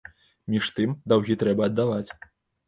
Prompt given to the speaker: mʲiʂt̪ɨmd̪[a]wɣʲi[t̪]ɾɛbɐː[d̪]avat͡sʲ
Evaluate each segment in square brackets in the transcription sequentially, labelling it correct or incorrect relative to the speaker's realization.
correct, correct, incorrect

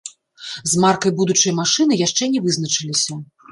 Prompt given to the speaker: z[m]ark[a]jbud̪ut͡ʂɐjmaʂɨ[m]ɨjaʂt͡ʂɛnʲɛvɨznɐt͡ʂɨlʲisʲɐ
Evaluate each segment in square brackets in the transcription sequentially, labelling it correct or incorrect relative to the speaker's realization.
correct, incorrect, incorrect

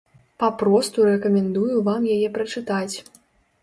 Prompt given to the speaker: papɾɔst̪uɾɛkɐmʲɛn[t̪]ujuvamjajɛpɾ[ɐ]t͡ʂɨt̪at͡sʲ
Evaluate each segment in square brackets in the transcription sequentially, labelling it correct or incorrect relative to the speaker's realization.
incorrect, correct

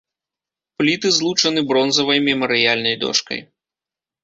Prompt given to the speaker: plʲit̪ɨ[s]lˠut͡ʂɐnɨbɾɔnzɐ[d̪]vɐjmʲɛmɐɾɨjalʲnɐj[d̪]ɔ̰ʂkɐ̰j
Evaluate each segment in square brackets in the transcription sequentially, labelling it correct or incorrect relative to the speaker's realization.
incorrect, incorrect, correct

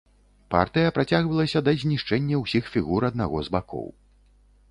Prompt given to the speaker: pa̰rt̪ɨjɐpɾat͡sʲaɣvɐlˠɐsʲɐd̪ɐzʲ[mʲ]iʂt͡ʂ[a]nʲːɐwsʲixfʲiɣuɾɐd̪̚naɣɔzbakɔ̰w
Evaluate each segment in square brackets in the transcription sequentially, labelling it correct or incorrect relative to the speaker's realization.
incorrect, incorrect

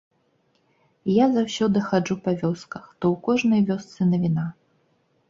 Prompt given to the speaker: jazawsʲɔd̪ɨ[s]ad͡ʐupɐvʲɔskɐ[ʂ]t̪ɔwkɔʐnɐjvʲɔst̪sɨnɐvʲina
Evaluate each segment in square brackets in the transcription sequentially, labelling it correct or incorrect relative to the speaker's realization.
incorrect, incorrect

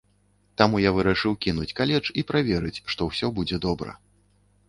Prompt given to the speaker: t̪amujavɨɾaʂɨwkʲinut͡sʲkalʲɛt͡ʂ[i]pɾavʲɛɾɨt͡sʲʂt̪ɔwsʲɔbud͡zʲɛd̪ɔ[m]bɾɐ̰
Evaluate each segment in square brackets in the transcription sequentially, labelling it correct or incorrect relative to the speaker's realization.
correct, incorrect

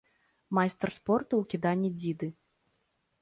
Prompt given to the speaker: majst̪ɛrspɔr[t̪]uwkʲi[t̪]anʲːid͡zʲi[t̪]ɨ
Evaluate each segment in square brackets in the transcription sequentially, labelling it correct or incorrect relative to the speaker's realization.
correct, incorrect, incorrect

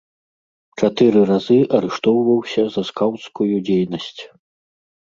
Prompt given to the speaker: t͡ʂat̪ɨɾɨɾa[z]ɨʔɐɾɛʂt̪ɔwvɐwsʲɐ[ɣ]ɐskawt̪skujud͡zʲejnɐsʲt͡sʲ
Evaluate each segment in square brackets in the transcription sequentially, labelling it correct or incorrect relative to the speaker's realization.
correct, incorrect

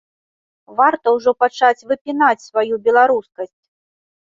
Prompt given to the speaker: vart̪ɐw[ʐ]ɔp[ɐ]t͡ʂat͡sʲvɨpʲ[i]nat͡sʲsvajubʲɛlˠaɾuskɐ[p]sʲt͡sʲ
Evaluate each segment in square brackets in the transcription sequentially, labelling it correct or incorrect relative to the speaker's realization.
correct, incorrect, correct, incorrect

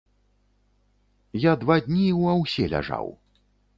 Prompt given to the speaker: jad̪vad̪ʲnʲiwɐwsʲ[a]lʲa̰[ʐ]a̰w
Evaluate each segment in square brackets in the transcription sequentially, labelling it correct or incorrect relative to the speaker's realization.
incorrect, correct

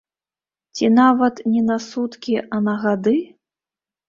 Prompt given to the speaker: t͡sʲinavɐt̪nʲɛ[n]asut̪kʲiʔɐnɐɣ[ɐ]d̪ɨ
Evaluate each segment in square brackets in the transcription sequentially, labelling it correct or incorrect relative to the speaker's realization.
correct, incorrect

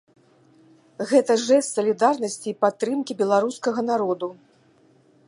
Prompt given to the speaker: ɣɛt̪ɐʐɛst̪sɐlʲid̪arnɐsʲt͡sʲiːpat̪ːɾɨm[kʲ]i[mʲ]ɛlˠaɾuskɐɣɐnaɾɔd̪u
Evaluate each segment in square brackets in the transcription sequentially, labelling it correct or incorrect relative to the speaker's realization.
correct, incorrect

